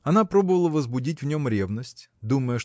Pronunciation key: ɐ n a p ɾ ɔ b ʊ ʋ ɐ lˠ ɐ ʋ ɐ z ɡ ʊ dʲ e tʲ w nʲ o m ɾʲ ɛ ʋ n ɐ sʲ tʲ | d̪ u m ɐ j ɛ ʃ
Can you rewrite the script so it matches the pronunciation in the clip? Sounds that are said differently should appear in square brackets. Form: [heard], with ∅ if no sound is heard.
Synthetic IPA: ɐ n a p ɾ ɔ b ʊ ʋ ɐ lˠ ɐ ʋ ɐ z [b] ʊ dʲ [i] tʲ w nʲ [ɔ] m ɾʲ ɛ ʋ n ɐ sʲ tʲ | d̪ u m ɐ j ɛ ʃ